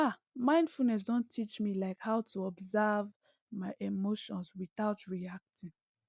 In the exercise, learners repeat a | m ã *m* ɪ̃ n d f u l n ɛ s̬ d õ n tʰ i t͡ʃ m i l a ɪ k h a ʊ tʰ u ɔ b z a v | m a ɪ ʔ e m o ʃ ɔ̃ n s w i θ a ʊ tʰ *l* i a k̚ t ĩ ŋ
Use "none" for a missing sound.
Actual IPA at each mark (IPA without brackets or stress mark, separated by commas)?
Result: none, ɹ